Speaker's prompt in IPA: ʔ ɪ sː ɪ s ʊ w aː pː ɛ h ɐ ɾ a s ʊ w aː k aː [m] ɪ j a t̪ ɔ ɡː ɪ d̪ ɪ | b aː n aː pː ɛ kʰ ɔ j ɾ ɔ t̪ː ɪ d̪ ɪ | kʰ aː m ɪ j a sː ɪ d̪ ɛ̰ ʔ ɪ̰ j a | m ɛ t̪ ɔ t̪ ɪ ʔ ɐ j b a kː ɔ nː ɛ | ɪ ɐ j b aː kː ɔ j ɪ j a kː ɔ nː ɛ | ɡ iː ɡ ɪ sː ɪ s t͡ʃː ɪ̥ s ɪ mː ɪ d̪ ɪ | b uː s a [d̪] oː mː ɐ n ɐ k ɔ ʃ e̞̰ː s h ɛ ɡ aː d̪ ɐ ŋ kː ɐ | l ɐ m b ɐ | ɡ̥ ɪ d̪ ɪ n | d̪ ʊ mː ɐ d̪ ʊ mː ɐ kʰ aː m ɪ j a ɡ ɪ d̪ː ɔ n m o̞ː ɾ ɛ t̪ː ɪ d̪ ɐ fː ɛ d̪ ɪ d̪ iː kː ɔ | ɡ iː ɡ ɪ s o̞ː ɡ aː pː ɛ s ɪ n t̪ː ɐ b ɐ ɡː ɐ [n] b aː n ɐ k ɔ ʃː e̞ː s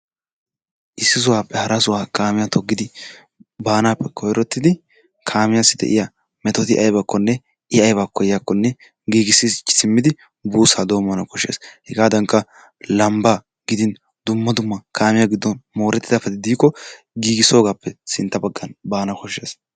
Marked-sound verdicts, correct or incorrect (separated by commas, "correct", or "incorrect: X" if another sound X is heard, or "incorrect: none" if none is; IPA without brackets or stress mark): correct, correct, correct